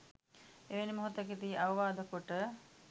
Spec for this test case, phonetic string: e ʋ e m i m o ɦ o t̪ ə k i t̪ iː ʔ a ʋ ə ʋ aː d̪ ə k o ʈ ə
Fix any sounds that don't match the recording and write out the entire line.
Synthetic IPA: e ʋ e n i m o ɦ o t̪ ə k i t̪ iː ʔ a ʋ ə ʋ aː d̪ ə k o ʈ ə